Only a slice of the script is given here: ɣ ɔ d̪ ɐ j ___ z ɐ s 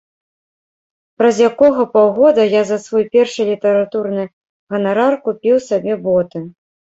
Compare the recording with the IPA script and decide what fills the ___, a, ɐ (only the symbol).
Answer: a